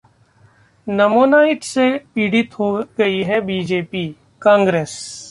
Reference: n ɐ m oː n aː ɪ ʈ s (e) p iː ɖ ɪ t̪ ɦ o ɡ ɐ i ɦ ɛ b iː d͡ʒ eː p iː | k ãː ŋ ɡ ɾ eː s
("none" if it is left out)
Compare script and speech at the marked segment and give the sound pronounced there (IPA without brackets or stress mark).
e